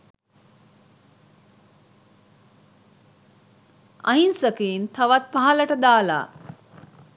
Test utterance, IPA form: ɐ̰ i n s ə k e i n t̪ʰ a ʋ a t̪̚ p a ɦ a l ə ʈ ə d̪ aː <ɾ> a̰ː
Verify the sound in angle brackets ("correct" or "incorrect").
incorrect